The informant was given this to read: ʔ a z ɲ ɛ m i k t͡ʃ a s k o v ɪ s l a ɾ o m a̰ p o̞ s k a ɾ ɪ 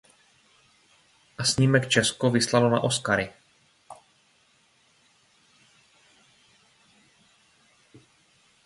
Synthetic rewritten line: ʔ a s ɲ i m ɛ k t͡ʃ ɛ s k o v ɪ s l a l o n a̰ ʔ o̞ s k a ɾ ɪ